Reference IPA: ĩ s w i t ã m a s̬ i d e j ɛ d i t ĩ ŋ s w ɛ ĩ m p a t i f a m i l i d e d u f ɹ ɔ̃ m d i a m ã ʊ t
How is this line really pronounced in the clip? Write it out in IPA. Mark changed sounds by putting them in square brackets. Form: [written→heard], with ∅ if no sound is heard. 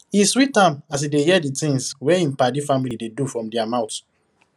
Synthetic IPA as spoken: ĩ s w i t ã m a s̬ i d e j ɛ d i t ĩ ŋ s w ɛ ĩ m p a [t→d] i f a m i l i d e d u f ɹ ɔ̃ m d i a m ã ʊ t